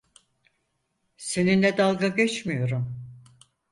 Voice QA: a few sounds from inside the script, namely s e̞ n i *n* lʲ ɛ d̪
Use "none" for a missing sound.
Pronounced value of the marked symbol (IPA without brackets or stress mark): n